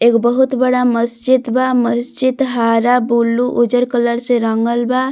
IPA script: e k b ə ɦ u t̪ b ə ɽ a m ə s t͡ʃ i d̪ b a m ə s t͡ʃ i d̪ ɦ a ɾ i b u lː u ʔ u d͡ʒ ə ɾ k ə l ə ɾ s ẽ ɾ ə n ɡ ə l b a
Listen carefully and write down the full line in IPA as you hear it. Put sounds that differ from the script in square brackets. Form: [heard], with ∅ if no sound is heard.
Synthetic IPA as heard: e k b ə ɦ u t̪ b ə ɽ a m ə s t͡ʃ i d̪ b a m ə s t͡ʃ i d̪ ɦ a ɾ [a] b u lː u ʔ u d͡ʒ ə ɾ k ə l ə ɾ s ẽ ɾ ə [ŋ] ɡ ə l b a